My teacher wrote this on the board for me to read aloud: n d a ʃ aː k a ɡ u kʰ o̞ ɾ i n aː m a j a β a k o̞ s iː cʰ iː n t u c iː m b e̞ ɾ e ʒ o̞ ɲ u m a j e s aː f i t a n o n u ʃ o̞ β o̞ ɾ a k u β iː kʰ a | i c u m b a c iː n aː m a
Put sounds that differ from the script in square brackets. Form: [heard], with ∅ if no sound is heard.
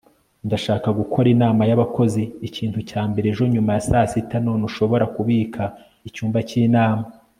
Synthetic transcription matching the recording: n d a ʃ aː k a ɡ u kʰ o̞ ɾ i n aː m a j a β a k o̞ [z] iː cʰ iː n t u c [aː] m b e̞ ɾ e ʒ o̞ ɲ u m a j [a] s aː [s] i t a n o n u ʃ o̞ β o̞ ɾ a k u β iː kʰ a | i c [uː] m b a c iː n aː m a

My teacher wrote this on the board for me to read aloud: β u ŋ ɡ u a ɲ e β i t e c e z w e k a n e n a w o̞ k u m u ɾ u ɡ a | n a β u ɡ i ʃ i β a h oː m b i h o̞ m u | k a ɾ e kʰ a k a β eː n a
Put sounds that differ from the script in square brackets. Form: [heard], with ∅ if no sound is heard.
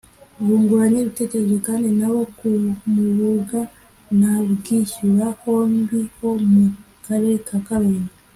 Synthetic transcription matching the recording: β u ŋ ɡ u a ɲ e β i t e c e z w e k a n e n a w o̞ k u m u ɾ u ɡ a | n a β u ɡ i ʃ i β a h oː m b i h o̞ m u | k a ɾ e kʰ a k a β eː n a

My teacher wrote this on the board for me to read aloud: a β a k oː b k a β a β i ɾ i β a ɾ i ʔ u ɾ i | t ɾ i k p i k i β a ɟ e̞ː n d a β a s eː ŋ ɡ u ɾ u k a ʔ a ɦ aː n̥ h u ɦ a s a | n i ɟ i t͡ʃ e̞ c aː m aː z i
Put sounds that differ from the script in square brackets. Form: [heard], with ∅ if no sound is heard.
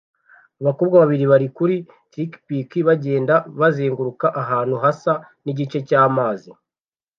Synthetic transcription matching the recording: a β a k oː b [ɡ] a β a β i ɾ i β a ɾ i [k] u ɾ i | t ɾ i k p i k i β a ɟ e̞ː n d a β a [z] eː ŋ ɡ u ɾ u k a ʔ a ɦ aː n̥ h u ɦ a s a | n i ɟ i t͡ʃ e̞ c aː m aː z i

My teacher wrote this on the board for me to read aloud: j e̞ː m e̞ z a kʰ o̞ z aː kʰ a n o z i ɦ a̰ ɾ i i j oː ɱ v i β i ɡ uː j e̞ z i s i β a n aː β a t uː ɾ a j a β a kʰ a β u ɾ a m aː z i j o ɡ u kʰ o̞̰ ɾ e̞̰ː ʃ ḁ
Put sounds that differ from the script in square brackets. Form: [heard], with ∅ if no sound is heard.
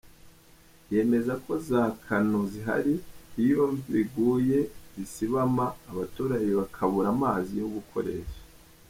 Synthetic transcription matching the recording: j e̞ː m e̞ z a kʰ o̞ z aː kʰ a n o z i ɦ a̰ ɾ i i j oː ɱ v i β i ɡ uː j e̞ z i s i β a [m] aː β a t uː ɾ a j [e] β a kʰ a β u ɾ a m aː z i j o ɡ u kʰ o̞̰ ɾ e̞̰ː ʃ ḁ

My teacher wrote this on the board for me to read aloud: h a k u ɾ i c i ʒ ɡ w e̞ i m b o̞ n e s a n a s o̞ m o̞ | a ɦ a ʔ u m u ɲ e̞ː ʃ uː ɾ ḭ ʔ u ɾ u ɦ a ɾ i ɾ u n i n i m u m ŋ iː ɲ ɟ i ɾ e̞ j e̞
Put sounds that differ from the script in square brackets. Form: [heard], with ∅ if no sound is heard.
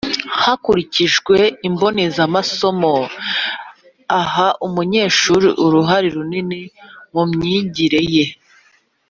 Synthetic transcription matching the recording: h a k u ɾ i c i ʒ ɡ w e̞ i m b o̞ n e [z] a [m] a s o̞ m o̞ | a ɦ a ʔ u m u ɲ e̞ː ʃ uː ɾ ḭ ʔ u ɾ u ɦ a ɾ i ɾ u n i n i m u m [ɲ] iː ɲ ɟ i ɾ e̞ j e̞

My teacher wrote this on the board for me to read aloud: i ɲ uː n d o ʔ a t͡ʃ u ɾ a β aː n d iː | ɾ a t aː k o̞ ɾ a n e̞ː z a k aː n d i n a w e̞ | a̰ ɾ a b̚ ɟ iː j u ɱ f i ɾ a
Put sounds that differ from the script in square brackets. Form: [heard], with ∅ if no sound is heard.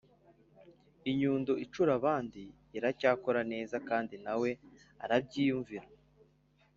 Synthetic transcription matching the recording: i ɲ uː n d o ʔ [i] t͡ʃ u ɾ a β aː n d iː | ɾ a [c] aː k o̞ ɾ a n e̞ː z a k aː n d i n a w e̞ | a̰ ɾ a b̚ ɟ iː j u ɱ [v] i ɾ a

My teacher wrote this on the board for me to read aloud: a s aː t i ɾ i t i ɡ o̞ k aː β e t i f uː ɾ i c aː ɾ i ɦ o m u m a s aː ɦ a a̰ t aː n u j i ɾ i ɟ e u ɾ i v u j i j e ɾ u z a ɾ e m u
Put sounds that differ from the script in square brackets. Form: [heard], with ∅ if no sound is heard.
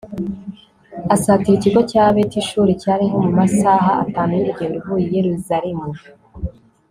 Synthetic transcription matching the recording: a s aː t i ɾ i [c] i ɡ o̞ [c] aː β e t i [ʃ] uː ɾ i c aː ɾ i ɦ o m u m a s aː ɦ a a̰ t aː n u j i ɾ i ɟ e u ɾ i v u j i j e ɾ u z a ɾ e m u

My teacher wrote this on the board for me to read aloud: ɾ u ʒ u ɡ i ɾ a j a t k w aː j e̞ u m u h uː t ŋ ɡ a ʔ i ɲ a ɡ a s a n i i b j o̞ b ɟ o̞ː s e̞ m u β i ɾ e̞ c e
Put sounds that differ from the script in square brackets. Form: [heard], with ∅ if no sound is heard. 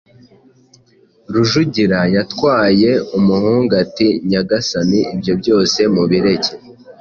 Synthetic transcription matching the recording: ɾ u ʒ u [ɟ] i ɾ a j a t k w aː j e̞ u m u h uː [∅] ŋ ɡ a [t] i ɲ a ɡ a s a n i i b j o̞ b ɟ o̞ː s e̞ m u β i ɾ e̞ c e

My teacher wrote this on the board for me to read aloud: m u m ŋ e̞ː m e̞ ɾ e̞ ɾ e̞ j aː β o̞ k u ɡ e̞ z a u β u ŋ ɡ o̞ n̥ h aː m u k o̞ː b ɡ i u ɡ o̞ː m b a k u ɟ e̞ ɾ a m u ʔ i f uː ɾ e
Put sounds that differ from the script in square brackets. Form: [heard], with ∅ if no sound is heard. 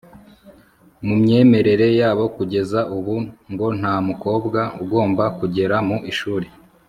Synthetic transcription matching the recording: m u m [ɲ] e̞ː m e̞ ɾ e̞ ɾ e̞ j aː β o̞ k u [ɟ] e̞ z a u β u ŋ ɡ o̞ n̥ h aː m u k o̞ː b ɡ [a] u ɡ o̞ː m b a k u ɟ e̞ ɾ a m u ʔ i [ʃ] uː ɾ e

